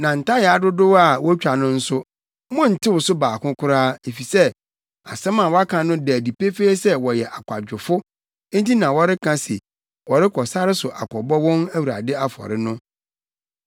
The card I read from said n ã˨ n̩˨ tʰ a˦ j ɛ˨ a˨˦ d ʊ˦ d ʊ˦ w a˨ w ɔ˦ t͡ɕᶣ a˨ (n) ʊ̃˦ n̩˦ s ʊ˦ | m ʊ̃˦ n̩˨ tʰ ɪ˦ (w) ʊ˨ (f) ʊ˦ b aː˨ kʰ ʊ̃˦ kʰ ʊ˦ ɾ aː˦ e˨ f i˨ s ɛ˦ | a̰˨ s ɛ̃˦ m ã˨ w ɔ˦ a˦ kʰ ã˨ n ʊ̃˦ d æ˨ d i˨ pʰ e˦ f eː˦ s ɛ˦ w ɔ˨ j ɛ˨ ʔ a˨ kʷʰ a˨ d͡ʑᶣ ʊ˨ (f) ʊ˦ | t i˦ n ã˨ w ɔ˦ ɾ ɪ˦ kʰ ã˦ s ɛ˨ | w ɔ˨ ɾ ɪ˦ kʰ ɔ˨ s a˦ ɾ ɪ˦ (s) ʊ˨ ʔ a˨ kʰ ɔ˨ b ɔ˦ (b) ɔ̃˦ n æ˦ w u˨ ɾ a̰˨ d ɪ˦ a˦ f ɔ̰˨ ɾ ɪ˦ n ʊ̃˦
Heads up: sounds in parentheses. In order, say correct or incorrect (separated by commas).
correct, correct, incorrect, correct, correct, incorrect